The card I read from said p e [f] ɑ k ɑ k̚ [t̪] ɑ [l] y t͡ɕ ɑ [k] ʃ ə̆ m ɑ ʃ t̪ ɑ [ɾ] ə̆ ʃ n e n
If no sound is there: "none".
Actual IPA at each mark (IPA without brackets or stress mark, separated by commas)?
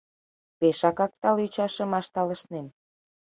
ʃ, t̪, l, none, l